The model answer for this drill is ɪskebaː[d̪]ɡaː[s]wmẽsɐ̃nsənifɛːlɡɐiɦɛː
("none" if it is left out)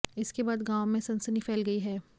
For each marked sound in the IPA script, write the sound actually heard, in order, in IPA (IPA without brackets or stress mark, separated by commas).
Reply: d̪, none